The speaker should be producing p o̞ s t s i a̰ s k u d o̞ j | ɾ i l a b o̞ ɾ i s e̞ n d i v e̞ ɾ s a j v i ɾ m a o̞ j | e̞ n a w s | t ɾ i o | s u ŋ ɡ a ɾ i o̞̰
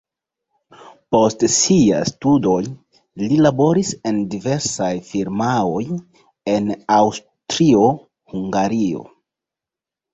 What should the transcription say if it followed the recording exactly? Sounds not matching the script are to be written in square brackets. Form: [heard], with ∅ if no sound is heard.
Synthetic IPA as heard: p o̞ s t s i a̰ s [t] u d o̞ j | [l] i l a b o̞ ɾ i s e̞ n d i v e̞ ɾ s a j [f] i ɾ m a o̞ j | e̞ n a w s | t ɾ i o | [h] u ŋ ɡ a ɾ i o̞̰